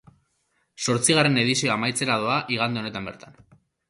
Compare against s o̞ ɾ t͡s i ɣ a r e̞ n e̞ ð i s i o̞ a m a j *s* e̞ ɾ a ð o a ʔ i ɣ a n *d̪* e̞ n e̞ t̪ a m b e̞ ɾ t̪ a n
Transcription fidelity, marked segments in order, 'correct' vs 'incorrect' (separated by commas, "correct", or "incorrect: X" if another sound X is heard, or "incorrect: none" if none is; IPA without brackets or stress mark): incorrect: t͡s, correct